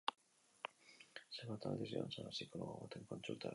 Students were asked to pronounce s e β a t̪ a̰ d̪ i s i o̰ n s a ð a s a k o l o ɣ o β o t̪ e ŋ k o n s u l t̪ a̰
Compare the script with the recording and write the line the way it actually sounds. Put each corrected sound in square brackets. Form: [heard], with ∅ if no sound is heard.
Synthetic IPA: s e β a t̪ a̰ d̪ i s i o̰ n s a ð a s [i] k o l o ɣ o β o t̪ e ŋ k o n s u l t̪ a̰